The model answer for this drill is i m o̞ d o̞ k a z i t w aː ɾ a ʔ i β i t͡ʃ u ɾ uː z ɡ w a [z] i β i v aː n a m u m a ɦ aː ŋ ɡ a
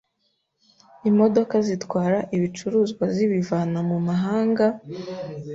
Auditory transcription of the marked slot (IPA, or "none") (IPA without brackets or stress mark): z